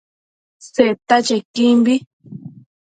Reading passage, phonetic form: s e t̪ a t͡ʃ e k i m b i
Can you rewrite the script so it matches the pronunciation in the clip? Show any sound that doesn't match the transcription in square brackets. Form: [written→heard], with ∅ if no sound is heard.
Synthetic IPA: s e t̪ a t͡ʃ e k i m b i